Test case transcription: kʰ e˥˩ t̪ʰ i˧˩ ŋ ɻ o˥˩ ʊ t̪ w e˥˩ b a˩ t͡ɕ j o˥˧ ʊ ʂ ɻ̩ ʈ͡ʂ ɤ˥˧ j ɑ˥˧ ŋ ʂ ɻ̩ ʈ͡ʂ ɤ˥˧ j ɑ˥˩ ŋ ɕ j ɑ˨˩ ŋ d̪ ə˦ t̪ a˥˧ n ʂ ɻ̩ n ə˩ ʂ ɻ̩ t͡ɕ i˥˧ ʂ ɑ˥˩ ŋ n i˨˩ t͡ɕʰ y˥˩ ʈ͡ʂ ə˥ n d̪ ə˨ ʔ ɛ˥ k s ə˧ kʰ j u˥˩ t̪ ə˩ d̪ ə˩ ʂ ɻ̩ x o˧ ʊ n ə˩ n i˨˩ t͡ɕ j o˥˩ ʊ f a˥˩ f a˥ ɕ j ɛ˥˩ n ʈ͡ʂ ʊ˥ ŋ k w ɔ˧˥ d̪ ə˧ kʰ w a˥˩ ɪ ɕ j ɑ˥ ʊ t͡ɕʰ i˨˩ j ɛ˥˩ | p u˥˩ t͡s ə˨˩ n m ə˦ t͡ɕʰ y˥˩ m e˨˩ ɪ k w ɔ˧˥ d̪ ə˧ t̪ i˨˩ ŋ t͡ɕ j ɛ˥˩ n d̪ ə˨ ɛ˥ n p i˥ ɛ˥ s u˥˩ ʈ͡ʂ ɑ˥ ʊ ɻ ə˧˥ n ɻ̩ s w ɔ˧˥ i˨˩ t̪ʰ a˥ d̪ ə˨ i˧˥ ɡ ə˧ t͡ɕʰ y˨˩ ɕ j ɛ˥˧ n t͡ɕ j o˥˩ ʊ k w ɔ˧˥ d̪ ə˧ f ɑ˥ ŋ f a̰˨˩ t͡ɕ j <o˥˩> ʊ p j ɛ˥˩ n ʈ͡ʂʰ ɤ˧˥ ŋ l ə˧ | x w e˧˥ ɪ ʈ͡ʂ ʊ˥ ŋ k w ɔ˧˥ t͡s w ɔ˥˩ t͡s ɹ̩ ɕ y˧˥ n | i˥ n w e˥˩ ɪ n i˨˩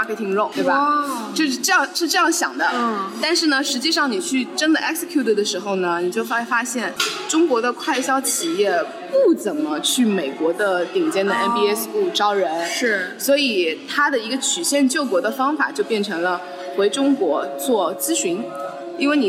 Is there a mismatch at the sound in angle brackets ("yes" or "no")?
yes